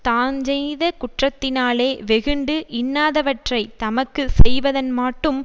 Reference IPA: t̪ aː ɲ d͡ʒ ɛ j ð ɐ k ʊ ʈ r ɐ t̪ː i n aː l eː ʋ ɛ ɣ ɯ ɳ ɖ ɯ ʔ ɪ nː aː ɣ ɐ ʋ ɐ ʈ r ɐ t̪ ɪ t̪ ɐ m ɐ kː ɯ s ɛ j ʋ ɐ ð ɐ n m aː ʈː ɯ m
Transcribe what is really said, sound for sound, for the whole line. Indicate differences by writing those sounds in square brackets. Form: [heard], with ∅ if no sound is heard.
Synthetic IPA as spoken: t̪ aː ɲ d͡ʒ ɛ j ð ɐ k ʊ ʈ r ɐ t̪ː [ɪ] n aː l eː ʋ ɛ ɣ ɯ ɳ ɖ ɯ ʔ ɪ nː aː [ð] ɐ ʋ ɐ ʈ r ɐ [∅] ɪ t̪ ɐ m ɐ kː ɯ s ɛ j ʋ ɐ ð ɐ n m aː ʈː ɯ m